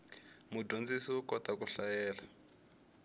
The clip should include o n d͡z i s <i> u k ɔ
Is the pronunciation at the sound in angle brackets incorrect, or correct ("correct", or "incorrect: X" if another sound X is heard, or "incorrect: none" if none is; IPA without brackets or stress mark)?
correct